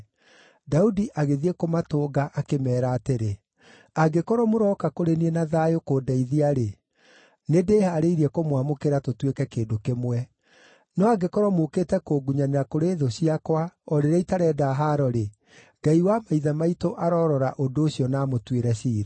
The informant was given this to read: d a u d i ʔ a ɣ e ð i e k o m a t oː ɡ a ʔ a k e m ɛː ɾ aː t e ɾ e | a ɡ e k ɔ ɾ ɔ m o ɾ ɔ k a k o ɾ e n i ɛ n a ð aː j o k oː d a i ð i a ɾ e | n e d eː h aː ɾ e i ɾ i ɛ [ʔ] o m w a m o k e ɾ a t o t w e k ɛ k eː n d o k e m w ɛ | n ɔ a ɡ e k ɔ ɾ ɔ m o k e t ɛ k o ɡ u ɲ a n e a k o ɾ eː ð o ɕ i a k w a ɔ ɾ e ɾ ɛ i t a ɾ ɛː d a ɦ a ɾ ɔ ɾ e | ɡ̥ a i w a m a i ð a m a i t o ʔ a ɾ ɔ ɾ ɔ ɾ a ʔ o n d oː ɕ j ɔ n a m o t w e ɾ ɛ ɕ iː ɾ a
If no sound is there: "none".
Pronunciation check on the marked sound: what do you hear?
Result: k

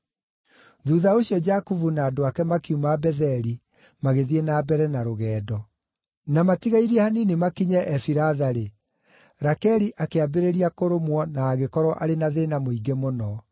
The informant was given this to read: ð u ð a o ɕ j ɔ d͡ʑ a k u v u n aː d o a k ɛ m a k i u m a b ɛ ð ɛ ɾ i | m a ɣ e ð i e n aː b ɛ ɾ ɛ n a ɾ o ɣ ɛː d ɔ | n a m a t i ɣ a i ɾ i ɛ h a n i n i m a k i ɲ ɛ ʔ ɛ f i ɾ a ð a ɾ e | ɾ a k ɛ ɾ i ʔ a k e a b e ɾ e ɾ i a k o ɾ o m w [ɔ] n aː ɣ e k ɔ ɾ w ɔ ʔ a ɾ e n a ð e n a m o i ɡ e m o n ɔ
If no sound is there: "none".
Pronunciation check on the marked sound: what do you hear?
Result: ɔ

